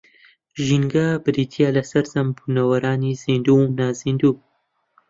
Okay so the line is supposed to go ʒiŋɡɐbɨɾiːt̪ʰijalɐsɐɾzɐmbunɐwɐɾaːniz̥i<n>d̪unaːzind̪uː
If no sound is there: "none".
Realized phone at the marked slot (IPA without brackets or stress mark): n